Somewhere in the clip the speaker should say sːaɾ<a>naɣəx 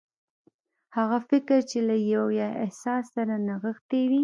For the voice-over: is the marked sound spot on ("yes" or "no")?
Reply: yes